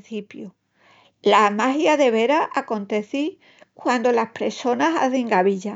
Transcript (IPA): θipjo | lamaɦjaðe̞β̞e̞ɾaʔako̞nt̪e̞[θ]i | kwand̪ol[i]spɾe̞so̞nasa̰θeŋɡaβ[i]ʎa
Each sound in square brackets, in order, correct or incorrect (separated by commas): correct, incorrect, correct